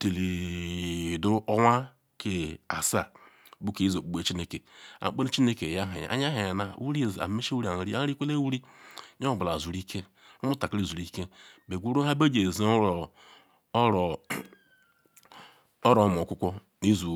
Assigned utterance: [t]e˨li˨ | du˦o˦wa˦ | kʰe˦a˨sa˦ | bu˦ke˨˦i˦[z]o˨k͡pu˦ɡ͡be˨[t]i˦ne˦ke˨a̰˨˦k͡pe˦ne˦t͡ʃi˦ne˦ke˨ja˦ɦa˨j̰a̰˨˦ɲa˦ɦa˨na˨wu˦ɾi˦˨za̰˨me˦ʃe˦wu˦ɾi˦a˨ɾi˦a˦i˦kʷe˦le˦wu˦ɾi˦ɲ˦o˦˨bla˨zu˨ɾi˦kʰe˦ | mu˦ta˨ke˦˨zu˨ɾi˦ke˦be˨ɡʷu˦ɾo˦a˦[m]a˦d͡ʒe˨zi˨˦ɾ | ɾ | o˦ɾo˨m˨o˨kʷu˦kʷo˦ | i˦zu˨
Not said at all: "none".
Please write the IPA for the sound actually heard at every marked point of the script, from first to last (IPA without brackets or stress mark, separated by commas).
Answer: t, z, t͡ʃ, b